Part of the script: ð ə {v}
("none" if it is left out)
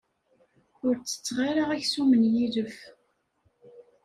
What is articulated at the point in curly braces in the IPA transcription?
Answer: f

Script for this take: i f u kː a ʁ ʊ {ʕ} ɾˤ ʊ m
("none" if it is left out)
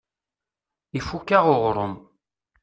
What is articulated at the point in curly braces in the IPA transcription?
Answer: ʁ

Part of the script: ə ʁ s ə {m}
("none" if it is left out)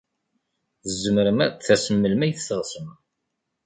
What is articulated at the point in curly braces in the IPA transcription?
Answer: m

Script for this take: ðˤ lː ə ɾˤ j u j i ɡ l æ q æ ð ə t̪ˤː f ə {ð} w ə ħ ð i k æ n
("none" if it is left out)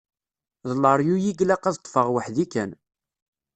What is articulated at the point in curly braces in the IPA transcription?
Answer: ʁ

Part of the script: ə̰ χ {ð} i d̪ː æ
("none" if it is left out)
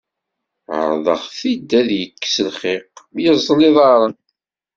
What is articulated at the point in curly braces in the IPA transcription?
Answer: θ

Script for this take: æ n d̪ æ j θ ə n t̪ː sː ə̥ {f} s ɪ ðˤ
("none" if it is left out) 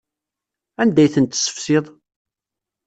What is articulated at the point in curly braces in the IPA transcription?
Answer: f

